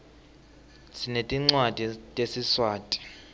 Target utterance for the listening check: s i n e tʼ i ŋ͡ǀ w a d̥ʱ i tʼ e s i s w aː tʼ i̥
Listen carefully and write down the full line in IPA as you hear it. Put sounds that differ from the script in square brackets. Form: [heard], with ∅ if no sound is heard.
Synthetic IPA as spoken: s i n e tʼ i ŋ͡ǀ w a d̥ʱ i tʼ e s i s w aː tʼ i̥